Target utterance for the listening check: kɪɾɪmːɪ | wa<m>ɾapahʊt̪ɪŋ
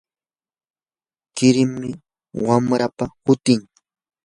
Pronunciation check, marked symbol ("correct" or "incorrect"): correct